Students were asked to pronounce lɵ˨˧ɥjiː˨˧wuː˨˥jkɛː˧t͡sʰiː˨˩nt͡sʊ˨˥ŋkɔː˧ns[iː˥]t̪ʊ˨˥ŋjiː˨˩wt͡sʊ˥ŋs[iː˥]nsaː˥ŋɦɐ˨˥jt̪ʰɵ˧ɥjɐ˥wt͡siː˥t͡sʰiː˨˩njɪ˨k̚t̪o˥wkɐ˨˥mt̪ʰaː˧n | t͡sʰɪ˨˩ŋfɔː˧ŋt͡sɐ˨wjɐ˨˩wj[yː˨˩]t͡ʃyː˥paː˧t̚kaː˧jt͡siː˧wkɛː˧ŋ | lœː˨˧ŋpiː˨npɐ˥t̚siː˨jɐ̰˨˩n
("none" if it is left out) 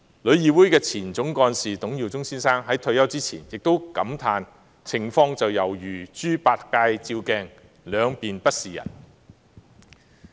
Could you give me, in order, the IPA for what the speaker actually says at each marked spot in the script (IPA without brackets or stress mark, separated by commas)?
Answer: iː˨, iː˥, yː˨˩